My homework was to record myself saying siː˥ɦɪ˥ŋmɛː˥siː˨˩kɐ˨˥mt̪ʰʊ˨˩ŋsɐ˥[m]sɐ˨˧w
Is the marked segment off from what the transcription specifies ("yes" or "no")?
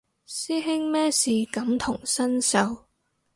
yes